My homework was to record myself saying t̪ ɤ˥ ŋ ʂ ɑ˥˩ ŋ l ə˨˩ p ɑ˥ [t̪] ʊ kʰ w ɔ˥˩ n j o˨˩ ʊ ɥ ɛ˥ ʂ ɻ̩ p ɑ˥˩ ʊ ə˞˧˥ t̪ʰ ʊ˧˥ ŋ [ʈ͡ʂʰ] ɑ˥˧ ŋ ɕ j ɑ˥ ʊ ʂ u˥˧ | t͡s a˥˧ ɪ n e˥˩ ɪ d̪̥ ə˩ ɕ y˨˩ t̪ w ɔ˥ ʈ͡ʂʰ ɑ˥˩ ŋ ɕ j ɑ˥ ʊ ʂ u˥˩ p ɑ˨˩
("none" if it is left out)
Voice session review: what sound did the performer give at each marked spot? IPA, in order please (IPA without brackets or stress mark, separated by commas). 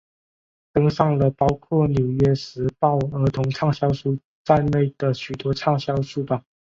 none, ʈ͡ʂʰ